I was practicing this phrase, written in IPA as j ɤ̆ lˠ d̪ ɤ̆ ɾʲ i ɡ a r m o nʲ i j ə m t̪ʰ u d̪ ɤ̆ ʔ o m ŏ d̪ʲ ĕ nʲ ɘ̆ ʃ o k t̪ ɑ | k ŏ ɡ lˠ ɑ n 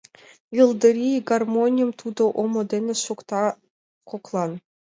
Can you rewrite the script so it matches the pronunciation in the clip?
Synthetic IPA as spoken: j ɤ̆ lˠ d̪ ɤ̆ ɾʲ i ɡ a r m o nʲ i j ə m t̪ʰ u d̪ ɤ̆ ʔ o m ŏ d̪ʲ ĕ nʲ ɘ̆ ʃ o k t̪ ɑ | k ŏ k lˠ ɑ n